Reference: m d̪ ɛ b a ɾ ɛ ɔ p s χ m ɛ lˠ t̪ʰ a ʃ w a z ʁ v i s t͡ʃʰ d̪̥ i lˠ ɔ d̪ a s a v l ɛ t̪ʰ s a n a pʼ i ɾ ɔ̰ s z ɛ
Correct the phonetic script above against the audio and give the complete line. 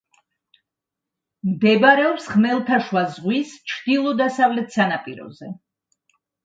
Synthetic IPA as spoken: m d̪ ɛ b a ɾ ɛ ɔ p s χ m ɛ lˠ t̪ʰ a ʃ w a z ʁ w i s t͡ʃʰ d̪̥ i lˠ ɔ d̪ a s a v l ɛ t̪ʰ s a n a pʼ i ɾ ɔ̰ z ɛ